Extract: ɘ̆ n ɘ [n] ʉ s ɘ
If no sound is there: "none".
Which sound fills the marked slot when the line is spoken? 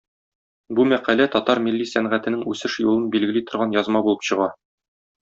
ŋ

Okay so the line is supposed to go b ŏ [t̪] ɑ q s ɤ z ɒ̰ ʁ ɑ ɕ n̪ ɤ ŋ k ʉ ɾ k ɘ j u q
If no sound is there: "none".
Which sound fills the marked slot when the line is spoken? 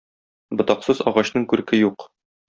t̪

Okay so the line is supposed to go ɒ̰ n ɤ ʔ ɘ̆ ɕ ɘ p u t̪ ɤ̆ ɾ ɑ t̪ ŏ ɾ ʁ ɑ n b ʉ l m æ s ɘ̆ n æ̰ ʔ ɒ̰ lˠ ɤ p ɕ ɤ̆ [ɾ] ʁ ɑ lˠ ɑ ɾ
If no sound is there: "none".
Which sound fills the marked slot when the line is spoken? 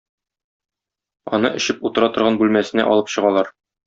none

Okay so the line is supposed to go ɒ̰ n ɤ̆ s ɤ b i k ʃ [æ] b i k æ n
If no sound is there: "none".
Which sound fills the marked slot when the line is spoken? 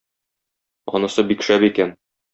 æ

